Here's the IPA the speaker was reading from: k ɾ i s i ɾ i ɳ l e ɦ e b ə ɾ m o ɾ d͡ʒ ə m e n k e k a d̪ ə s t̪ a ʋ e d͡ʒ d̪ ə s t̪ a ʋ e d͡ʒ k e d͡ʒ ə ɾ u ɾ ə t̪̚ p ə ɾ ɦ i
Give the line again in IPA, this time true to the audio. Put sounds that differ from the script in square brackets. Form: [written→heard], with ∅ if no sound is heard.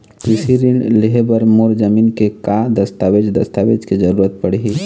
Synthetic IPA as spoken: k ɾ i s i ɾ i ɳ l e ɦ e b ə ɾ m o ɾ d͡ʒ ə m [e→i] n k e k a d̪ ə s t̪ a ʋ e d͡ʒ d̪ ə s t̪ a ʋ e d͡ʒ k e d͡ʒ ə ɾ u ɾ ə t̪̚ p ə [ɾ→ɽ] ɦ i